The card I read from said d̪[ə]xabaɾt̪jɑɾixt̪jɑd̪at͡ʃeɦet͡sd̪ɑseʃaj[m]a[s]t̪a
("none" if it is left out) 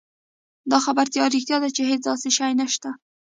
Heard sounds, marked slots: ɑ, n, ʃ

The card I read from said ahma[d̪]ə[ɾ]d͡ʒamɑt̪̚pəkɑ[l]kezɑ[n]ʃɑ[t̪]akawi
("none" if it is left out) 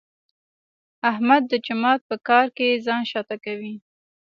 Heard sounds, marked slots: d̪ː, none, ɾ, n, t̪

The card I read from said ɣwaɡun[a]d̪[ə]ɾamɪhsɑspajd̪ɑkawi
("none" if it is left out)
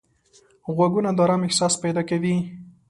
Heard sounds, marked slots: a, ɑ

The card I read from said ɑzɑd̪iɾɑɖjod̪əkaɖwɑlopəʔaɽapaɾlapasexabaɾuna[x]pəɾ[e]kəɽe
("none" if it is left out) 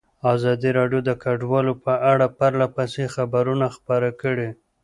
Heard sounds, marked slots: x, a

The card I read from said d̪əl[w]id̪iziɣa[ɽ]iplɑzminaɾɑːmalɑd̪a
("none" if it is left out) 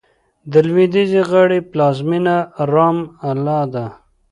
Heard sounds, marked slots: w, ɽ

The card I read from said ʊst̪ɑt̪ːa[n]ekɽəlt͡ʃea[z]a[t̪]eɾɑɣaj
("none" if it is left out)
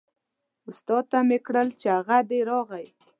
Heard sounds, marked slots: m, ɣ, d̪

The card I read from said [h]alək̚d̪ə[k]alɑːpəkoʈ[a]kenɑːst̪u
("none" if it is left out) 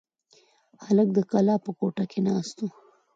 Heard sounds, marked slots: h, k, a

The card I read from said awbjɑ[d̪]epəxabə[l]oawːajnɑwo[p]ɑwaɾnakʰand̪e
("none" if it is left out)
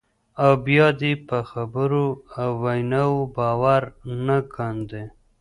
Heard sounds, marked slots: d̪, ɾ, b

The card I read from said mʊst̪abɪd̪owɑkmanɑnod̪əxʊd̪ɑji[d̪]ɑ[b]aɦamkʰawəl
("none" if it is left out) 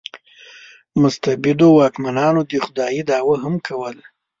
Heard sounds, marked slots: d̪, w

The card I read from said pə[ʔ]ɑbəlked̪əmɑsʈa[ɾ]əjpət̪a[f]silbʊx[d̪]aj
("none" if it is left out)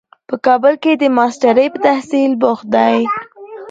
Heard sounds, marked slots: k, ɾ, h, d̪

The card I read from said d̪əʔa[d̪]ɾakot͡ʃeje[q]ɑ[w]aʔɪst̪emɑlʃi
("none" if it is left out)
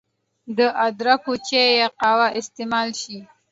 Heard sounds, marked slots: d̪, q, w

